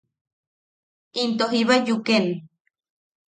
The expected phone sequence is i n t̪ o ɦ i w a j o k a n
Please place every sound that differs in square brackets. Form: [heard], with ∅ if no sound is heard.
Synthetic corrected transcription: i n t̪ o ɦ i [β] a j [u] k [e] n